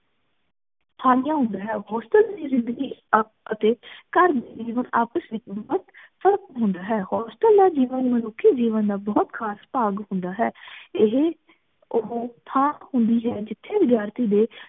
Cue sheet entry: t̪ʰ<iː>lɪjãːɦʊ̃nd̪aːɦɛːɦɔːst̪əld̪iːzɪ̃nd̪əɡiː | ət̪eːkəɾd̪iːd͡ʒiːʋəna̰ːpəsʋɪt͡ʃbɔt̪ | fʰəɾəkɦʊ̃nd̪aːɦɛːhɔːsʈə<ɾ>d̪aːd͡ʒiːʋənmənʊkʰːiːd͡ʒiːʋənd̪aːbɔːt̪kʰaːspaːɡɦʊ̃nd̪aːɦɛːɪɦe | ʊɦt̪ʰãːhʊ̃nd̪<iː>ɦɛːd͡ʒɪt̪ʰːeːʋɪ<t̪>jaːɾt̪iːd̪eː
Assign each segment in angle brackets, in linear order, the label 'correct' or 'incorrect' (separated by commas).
incorrect, incorrect, correct, incorrect